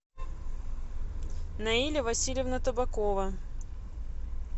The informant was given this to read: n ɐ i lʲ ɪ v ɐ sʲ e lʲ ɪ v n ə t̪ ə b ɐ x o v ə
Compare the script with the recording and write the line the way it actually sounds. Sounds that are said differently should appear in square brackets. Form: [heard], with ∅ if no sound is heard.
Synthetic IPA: n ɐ i lʲ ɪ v ɐ sʲ [i] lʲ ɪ v n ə t̪ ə b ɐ [k] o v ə